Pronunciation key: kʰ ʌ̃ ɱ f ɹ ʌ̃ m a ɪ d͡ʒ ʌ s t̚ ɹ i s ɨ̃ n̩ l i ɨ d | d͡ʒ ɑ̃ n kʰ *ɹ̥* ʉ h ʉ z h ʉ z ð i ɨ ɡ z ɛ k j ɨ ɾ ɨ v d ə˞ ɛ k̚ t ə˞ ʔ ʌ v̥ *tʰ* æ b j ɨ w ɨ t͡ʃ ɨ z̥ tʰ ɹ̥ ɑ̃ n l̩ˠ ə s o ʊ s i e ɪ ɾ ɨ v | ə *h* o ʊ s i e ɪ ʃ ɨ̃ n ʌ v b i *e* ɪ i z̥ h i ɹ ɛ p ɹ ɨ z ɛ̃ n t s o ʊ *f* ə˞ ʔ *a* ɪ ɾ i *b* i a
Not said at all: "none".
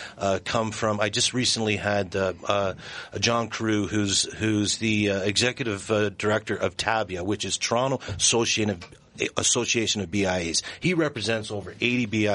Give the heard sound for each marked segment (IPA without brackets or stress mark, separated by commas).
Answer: ɹ̥, tʰ, s, a, v, e, b